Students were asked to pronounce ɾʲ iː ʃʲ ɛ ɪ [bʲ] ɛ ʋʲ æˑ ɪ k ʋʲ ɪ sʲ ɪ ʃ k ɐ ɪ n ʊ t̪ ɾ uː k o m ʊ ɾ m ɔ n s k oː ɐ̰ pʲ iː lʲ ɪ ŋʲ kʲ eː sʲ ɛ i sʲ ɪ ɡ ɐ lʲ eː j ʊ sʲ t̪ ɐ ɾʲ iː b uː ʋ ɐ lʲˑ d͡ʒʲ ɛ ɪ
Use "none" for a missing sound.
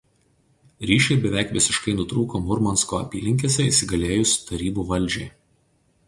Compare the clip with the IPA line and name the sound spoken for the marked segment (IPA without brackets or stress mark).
bʲ